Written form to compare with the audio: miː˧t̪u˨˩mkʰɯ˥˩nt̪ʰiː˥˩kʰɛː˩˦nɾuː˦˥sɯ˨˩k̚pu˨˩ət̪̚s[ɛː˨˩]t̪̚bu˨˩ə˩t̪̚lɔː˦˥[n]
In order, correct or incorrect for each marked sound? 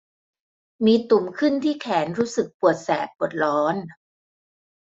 correct, correct

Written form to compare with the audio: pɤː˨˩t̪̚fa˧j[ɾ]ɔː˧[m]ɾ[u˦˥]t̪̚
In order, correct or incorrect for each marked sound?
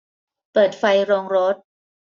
correct, incorrect: ŋ, incorrect: o˦˥

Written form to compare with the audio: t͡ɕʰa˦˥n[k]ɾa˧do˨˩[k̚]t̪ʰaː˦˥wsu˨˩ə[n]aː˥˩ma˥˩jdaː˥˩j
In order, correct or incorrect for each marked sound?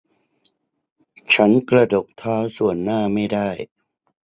correct, correct, incorrect: nː

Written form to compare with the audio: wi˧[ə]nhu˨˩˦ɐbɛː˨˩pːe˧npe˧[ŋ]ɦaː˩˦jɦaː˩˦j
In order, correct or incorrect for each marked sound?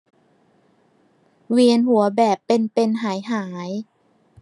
correct, incorrect: n

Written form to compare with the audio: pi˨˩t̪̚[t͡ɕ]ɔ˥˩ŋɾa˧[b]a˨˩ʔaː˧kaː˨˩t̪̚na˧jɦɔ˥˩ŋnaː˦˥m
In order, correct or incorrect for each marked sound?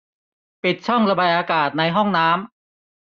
incorrect: t͡ɕʰ, correct

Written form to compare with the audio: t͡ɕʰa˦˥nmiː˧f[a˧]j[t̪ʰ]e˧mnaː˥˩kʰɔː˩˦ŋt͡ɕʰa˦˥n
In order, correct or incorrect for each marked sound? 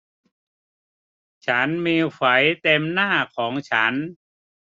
incorrect: a˩˦, incorrect: t̪

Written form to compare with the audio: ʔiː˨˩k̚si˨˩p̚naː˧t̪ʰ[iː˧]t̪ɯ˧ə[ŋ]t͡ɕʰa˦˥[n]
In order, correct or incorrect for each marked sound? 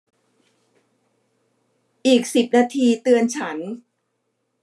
correct, incorrect: n, correct

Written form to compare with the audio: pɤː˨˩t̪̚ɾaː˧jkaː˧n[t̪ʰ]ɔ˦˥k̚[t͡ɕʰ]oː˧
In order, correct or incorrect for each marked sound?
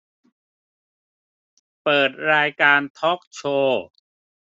correct, correct

